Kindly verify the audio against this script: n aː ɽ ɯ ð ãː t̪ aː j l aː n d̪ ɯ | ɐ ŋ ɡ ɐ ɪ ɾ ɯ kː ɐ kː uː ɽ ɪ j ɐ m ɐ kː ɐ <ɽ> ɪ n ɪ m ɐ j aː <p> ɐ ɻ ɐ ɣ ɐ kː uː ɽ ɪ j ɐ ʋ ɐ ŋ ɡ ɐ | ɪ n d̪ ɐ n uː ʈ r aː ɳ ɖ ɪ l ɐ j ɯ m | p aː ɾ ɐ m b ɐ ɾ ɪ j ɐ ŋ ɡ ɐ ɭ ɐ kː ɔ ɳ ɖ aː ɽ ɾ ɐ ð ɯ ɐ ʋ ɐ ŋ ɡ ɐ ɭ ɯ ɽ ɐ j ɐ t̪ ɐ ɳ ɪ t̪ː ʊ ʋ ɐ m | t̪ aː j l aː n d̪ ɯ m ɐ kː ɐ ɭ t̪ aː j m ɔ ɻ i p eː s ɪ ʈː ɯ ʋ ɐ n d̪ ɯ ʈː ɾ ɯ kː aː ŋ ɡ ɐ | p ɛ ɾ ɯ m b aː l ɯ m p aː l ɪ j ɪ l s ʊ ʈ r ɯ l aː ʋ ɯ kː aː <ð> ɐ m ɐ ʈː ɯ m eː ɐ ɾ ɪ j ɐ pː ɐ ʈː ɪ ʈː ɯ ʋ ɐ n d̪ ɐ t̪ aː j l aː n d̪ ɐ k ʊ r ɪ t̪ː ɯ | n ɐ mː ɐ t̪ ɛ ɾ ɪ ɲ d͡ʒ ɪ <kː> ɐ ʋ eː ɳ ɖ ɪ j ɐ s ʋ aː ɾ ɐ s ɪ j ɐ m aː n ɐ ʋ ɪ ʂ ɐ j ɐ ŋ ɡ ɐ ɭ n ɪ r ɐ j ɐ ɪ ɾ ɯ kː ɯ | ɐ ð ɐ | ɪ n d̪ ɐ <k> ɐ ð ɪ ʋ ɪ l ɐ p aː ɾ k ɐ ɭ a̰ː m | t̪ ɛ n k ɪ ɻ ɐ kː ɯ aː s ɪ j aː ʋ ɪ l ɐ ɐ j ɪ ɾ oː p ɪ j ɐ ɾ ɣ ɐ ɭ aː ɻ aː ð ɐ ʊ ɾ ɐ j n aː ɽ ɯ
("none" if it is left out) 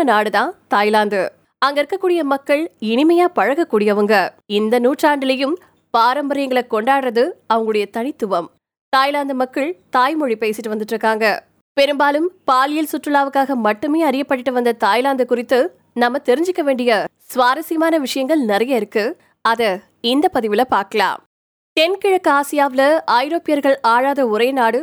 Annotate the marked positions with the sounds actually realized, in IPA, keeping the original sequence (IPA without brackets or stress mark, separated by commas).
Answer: ɭ, p, ɣ, kː, p